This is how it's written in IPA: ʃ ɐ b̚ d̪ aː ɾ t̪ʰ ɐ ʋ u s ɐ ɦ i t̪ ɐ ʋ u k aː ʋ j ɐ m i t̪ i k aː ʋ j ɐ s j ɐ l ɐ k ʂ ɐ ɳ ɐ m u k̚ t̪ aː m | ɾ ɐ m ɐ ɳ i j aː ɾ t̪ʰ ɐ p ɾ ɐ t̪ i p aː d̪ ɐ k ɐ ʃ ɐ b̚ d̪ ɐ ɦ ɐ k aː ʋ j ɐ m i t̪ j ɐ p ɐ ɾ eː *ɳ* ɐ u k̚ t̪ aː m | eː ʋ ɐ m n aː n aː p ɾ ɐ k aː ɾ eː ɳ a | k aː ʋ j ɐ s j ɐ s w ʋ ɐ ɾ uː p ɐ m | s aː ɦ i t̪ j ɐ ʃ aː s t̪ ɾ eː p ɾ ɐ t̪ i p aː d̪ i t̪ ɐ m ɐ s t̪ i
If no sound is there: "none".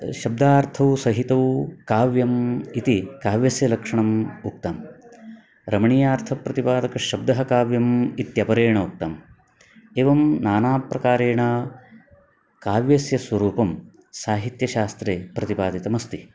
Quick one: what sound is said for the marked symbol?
ɳ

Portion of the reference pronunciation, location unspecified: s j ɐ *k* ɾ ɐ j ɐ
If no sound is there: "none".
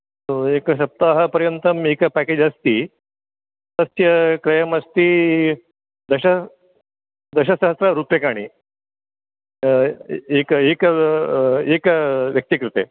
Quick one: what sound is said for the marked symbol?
k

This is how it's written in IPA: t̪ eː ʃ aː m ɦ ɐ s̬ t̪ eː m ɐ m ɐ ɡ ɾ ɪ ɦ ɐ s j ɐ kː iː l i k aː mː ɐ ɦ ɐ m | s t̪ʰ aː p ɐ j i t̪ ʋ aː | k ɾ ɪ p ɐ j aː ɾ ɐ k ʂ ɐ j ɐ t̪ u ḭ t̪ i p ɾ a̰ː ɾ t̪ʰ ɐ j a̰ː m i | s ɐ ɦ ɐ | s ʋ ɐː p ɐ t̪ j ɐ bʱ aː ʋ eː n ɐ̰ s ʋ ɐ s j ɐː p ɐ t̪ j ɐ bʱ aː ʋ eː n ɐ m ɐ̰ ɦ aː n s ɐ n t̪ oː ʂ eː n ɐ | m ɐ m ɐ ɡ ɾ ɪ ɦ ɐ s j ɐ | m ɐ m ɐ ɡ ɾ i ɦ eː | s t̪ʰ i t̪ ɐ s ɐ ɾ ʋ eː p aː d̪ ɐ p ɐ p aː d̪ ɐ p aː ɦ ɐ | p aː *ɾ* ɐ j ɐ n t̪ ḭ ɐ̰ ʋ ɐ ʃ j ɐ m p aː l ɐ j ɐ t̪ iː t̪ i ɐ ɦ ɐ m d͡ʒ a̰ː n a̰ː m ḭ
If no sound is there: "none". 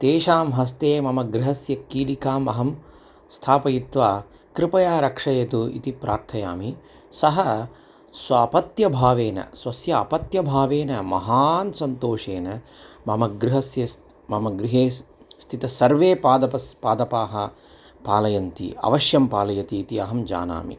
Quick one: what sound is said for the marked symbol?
l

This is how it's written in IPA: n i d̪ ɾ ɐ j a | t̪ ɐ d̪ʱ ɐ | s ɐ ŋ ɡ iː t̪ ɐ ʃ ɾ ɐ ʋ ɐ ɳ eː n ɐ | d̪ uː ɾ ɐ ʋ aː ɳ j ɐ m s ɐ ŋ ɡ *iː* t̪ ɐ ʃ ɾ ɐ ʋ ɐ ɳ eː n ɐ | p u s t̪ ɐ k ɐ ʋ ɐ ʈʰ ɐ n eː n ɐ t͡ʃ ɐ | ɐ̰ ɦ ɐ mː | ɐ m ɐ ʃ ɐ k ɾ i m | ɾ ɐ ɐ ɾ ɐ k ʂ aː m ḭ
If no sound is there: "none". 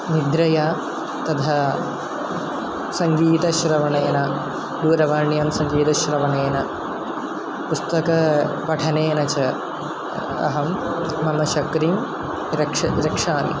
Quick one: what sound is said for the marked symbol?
iː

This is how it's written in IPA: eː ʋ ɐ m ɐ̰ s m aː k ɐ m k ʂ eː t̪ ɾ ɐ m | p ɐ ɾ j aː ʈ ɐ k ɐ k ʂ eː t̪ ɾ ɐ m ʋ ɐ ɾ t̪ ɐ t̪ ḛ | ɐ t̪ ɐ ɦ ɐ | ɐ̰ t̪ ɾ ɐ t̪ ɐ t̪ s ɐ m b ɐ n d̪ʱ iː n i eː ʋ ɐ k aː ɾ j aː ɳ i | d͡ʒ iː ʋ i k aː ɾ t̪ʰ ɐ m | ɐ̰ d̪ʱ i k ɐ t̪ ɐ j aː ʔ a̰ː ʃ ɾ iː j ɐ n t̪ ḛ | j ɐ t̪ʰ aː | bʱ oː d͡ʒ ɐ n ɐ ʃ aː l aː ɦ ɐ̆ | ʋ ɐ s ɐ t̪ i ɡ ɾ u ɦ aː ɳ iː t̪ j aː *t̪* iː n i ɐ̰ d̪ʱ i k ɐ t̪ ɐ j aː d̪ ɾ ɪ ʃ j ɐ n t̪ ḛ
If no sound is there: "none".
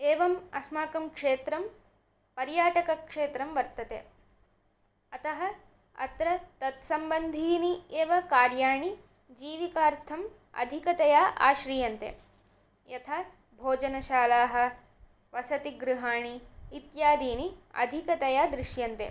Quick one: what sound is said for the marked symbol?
d̪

